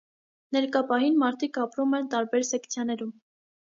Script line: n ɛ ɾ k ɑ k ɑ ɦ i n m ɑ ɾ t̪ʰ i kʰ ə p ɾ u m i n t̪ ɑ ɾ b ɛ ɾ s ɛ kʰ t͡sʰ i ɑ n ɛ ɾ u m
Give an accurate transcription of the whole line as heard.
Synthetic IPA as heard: n ɛ ɾ k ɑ p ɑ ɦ i n m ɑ ɾ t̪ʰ i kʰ ɑ p ɾ u m ɛ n t̪ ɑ ɾ b ɛ ɾ s ɛ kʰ t͡sʰ j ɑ n ɛ ɾ u m